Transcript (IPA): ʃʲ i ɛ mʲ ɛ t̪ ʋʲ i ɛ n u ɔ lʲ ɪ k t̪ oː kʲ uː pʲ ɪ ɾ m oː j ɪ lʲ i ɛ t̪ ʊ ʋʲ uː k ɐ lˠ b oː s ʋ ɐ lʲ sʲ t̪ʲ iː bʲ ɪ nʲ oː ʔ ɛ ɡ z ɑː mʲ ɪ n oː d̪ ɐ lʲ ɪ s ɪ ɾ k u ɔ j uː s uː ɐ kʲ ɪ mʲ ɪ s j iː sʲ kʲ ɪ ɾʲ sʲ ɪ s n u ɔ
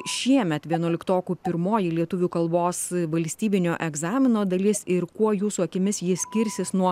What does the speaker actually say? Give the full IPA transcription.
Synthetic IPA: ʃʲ i ɛ mʲ ɛ t̪ ʋʲ i ɛ n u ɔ lʲ ɪ k t̪ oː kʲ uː pʲ ɪ ɾ m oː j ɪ lʲ i ɛ t̪ ʊ ʋʲ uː k ɐ lˠ b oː s ʋ ɐ lʲ sʲ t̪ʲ iː bʲ ɪ nʲ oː ʔ ɛ ɡ z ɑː mʲ ɪ n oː d̪ ɐ lʲ ɪ s ɪ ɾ k u ɔ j uː s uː ɐ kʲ ɪ mʲ ɪ s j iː sʲ kʲ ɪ ɾʲ sʲ ɪ s n u ɔ